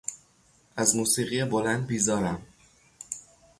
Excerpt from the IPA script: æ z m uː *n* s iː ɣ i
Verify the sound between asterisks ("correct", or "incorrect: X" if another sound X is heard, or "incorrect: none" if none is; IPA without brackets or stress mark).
incorrect: none